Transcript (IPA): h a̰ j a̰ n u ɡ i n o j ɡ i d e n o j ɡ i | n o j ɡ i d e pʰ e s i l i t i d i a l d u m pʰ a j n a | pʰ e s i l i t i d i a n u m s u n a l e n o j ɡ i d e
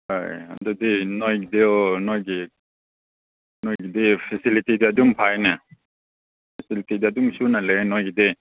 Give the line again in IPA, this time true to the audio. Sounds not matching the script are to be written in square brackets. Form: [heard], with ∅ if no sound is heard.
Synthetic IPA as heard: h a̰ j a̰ [d] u [d] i n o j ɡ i d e n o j ɡ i | n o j ɡ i d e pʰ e s i l i t i d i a [∅] d u m pʰ a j n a | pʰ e s i l i t i d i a [d] u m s u n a l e n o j ɡ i d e